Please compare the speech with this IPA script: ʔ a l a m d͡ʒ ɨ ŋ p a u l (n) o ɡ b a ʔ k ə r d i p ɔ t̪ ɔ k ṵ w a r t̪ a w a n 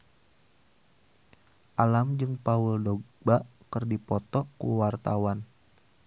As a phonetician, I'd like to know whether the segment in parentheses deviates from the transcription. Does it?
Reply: yes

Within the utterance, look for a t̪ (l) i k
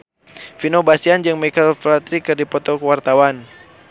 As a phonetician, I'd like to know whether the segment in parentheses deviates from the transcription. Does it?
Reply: yes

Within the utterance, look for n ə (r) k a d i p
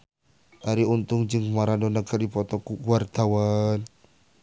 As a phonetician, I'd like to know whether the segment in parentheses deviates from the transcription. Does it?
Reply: yes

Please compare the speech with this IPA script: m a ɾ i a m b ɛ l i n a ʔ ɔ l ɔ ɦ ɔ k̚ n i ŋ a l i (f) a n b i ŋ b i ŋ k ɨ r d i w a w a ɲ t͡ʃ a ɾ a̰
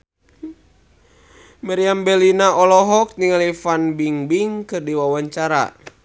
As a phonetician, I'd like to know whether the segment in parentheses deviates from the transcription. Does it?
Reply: no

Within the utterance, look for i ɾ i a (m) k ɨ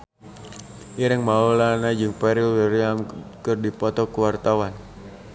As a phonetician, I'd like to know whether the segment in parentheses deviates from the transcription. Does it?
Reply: no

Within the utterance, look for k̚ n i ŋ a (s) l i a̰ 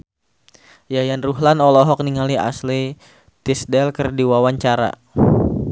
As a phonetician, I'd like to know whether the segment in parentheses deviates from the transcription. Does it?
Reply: yes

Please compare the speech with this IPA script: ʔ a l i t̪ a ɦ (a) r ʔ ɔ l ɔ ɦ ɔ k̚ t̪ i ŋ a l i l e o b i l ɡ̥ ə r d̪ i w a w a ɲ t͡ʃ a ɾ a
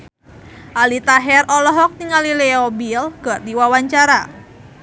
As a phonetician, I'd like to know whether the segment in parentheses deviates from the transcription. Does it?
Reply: yes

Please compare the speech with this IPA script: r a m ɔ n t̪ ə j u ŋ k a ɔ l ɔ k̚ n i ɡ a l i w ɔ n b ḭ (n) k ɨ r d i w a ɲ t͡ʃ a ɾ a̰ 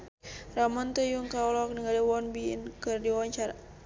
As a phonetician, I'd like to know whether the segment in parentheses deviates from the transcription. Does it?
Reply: no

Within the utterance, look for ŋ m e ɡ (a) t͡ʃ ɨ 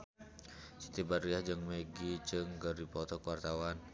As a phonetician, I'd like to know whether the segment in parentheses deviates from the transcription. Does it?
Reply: yes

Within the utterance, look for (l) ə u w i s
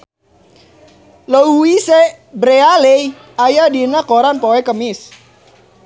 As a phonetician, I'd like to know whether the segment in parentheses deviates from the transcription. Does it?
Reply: no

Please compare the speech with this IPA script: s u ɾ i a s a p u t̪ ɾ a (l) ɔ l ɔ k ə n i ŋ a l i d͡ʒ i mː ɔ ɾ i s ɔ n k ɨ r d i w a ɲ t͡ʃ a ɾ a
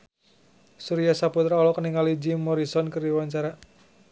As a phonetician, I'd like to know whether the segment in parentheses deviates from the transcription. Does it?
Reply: yes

